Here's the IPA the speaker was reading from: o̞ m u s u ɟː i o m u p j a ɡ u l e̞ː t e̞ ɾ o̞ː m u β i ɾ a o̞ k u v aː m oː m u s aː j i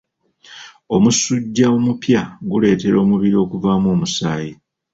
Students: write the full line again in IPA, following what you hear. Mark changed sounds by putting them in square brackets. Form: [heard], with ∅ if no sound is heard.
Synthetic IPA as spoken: o̞ m u s u ɟː [a] o m u p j a ɡ u l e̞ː t e̞ ɾ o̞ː m u β i ɾ [i] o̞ k u v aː m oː m u s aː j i